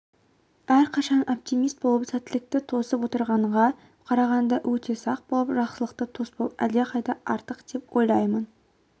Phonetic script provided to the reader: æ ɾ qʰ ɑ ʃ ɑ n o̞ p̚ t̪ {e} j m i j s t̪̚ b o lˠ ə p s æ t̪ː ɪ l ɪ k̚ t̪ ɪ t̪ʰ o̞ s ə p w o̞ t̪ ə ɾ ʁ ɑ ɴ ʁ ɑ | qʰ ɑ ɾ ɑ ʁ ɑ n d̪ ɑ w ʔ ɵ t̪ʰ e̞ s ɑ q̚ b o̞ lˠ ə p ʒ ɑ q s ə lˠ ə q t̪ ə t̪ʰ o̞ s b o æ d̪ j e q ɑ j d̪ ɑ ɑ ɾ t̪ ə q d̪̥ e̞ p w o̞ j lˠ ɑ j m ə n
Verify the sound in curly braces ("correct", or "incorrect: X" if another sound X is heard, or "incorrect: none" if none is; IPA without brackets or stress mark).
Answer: incorrect: i